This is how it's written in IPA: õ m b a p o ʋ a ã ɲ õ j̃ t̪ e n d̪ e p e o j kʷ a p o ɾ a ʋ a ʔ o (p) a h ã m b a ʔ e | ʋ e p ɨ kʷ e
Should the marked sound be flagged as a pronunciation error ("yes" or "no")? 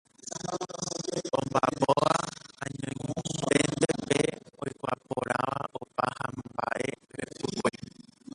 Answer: no